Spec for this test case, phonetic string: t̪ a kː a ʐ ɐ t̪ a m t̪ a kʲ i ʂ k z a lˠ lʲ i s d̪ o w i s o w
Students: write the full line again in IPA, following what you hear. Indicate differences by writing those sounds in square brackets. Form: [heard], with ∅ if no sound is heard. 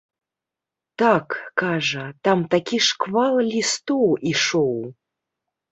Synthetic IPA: t̪ a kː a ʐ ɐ t̪ a m t̪ a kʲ i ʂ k [v] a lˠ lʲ i s [t̪] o w i [ʂ] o w

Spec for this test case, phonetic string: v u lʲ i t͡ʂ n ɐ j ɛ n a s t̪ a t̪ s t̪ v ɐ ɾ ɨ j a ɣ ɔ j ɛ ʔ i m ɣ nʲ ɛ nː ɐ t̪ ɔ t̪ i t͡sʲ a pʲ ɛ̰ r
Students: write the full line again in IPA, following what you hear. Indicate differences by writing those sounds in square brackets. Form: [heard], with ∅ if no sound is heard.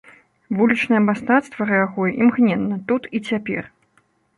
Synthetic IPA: v u lʲ i t͡ʂ n ɐ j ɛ [m] a s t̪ a t̪ s t̪ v ɐ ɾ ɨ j a ɣ ɔ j ɛ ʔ i m ɣ nʲ ɛ nː ɐ t̪ [u] t̪ i t͡sʲ a pʲ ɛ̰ r

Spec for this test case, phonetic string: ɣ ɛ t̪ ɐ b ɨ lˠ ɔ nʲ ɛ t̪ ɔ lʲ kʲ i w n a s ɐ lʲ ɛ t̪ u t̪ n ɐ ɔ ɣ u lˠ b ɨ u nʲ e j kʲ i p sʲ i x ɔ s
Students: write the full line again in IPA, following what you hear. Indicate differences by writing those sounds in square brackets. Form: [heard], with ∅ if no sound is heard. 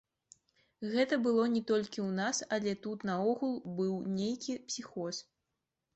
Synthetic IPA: ɣ ɛ t̪ ɐ b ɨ lˠ ɔ nʲ ɛ t̪ ɔ lʲ kʲ i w n a s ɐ lʲ ɛ t̪ u t̪ n ɐ ɔ ɣ u lˠ b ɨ [w] nʲ e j kʲ i p sʲ i x ɔ s

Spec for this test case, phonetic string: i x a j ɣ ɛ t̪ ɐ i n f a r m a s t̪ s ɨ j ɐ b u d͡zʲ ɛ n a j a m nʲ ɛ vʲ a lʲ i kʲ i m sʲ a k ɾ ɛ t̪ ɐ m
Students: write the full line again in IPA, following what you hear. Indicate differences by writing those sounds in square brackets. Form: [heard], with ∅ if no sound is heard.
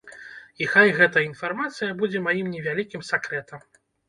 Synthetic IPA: i x a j ɣ ɛ t̪ ɐ i n f a r m a [∅] t̪ s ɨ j ɐ b u d͡zʲ ɛ [m] a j [i] m nʲ ɛ vʲ a lʲ i kʲ i m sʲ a k ɾ ɛ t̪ ɐ m

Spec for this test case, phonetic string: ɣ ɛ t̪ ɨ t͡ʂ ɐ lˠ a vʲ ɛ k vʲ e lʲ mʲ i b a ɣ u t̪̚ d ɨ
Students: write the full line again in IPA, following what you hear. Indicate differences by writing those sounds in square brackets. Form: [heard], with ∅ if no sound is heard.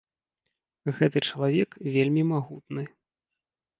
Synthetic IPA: ɣ ɛ t̪ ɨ t͡ʂ ɐ lˠ a vʲ ɛ k vʲ e lʲ mʲ i [m] a ɣ u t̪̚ [n] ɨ

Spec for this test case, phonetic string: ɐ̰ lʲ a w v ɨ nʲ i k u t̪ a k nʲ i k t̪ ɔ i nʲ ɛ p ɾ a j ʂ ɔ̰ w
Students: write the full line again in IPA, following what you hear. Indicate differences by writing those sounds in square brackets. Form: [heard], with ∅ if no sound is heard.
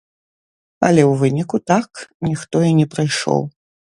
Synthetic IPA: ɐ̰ lʲ [ɛ] w v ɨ nʲ i k u t̪ a k nʲ i [x] t̪ ɔ i nʲ ɛ p ɾ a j ʂ ɔ̰ w

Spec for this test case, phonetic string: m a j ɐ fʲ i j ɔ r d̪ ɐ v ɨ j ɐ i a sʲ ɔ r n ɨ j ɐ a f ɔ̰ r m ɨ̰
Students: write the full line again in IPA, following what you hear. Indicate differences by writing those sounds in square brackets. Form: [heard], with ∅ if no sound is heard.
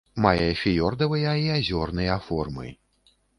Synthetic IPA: m a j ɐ fʲ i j ɔ r d̪ ɐ v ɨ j ɐ i a [zʲ] ɔ r n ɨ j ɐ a f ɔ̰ r m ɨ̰

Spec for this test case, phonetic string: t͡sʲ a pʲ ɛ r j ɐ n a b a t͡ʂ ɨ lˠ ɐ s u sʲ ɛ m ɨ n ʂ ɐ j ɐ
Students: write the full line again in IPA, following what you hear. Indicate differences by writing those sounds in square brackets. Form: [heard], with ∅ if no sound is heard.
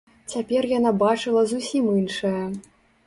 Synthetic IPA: t͡sʲ a pʲ ɛ r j [a] n a b a t͡ʂ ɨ lˠ ɐ [z] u sʲ [i] m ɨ n ʂ ɐ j ɐ

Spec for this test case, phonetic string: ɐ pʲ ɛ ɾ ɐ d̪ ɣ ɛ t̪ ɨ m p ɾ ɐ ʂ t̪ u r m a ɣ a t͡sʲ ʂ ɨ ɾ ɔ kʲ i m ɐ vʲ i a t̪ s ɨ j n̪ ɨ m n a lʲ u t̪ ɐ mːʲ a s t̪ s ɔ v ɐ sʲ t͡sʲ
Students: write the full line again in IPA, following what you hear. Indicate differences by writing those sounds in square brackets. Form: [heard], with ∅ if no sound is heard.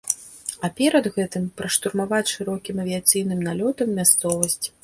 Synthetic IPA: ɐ pʲ ɛ ɾ ɐ d̪ ɣ ɛ t̪ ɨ m p ɾ ɐ ʂ t̪ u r m a [v] a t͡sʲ ʂ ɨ ɾ ɔ kʲ i m ɐ vʲ i a t̪ s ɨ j n̪ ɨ m n a lʲ [ɔ] t̪ ɐ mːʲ a s t̪ s ɔ v ɐ sʲ t͡sʲ

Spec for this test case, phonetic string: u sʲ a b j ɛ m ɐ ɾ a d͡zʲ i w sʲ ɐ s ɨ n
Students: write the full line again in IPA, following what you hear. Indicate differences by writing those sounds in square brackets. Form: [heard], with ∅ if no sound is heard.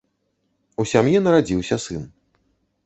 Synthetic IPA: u sʲ a [m] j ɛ [n] ɐ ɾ a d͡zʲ i w sʲ ɐ s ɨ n

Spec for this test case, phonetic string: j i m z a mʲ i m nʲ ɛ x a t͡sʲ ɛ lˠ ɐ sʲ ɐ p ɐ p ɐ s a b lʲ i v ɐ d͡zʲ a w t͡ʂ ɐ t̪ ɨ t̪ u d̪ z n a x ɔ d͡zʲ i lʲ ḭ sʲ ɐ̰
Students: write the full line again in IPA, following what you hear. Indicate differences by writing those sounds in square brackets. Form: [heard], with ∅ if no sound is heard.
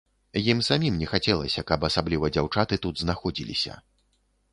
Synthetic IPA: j i m [s] a mʲ i m nʲ ɛ x a t͡sʲ ɛ lˠ ɐ sʲ ɐ [k] ɐ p ɐ s a b lʲ i v ɐ d͡zʲ a w t͡ʂ [a] t̪ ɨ t̪ u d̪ z n a x ɔ d͡zʲ i lʲ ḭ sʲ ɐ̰

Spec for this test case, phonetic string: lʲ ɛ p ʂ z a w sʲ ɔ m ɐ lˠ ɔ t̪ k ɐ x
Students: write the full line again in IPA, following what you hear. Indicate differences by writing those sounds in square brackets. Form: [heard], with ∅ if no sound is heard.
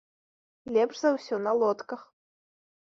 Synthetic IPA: lʲ ɛ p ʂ z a w sʲ ɔ [n] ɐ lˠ ɔ t̪ k ɐ x

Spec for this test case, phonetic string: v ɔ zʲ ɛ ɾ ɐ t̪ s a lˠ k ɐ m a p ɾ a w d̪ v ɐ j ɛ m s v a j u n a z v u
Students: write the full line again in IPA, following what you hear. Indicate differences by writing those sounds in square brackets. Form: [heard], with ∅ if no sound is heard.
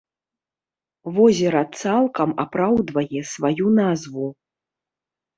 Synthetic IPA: v ɔ zʲ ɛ ɾ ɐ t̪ s a lˠ k ɐ m a p ɾ a w d̪ v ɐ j ɛ [∅] s v a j u n a z v u

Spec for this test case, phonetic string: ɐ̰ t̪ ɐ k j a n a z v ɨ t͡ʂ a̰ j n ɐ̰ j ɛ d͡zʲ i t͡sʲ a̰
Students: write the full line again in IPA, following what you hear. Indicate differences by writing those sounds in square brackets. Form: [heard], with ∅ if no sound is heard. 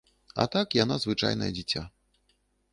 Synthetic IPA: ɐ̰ t̪ [a] k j a n a z v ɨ t͡ʂ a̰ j n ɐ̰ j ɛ d͡zʲ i t͡sʲ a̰

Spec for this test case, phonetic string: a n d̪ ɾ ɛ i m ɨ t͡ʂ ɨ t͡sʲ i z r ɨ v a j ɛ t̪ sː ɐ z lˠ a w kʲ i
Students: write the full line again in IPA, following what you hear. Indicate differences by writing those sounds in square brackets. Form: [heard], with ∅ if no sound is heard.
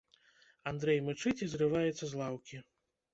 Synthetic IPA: a n d̪ ɾ ɛ [j] m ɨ t͡ʂ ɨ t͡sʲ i z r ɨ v a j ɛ t̪ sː ɐ z lˠ a w kʲ i

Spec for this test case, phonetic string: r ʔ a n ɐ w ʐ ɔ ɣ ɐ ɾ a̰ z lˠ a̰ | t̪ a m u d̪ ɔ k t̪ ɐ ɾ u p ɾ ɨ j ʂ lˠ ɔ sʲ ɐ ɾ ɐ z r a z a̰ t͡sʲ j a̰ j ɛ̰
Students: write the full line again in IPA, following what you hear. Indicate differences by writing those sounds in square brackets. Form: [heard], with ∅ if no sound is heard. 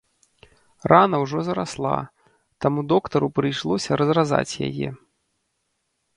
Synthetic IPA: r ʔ a n ɐ w ʐ ɔ [z] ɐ ɾ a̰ [s] lˠ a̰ | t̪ a m u d̪ ɔ k t̪ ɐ ɾ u p ɾ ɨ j ʂ lˠ ɔ sʲ ɐ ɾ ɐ z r a z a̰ t͡sʲ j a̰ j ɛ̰

